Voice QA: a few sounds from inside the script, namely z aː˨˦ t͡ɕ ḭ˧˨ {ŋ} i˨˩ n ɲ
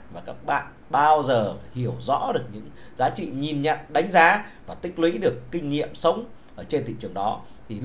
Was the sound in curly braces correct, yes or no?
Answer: no